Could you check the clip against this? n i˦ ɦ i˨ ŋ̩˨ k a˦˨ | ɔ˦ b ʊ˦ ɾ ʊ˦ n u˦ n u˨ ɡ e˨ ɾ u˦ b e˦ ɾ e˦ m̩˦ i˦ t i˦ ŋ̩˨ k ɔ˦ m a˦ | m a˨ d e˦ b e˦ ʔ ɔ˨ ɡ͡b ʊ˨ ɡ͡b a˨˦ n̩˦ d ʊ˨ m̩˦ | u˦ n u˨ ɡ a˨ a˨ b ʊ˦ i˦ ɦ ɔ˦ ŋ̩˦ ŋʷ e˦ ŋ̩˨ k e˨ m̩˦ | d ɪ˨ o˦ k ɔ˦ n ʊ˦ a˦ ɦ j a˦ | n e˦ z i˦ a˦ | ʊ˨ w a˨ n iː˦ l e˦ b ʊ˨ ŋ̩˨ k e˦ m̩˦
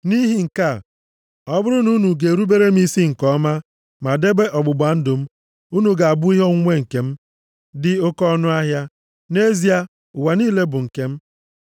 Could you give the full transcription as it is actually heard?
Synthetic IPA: n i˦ ɦ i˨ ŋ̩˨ k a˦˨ | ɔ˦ b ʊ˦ ɾ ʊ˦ n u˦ n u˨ ɡ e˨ ɾ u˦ b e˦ ɾ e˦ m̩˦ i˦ s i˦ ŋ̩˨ k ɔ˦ m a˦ | m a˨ d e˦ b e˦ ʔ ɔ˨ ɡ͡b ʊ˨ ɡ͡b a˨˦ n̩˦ d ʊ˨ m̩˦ | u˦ n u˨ ɡ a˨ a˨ b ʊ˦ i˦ ɦ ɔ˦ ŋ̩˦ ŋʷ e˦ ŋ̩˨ k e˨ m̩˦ | d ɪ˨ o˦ k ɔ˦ n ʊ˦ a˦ ɦ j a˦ | n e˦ z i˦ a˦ | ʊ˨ w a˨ n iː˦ l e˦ b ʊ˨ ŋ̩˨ k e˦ m̩˦